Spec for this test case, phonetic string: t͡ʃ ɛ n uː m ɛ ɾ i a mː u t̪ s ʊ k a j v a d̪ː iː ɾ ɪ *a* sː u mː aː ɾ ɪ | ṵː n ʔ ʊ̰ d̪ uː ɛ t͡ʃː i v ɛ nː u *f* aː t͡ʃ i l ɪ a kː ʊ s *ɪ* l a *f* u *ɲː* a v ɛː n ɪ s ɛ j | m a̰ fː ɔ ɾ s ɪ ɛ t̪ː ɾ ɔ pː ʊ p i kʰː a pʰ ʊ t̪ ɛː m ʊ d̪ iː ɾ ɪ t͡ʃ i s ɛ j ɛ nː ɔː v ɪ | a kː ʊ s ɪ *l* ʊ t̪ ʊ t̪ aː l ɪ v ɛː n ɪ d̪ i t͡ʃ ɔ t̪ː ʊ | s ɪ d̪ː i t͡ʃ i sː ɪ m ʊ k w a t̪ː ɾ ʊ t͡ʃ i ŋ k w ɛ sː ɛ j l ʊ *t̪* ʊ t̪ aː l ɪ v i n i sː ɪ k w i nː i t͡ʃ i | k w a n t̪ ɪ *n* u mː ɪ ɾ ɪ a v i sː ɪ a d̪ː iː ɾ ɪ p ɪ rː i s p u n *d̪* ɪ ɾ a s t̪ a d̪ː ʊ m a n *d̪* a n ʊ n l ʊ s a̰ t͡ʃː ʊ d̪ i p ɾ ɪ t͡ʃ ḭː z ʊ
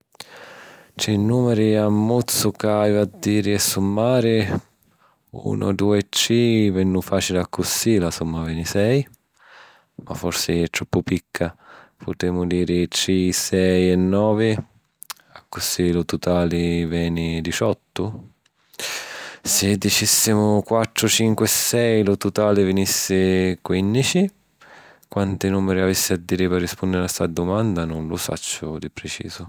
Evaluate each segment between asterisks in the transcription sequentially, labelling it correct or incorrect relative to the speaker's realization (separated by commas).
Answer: incorrect, correct, incorrect, incorrect, incorrect, correct, correct, correct, correct, correct